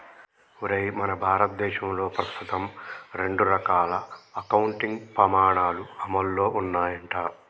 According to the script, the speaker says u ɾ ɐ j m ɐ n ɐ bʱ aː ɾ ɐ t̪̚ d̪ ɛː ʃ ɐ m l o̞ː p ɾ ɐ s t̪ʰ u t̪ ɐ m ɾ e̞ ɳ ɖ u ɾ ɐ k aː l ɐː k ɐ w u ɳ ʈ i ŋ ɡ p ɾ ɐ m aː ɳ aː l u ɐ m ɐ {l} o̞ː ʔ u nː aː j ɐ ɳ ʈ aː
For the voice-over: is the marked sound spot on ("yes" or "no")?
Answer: no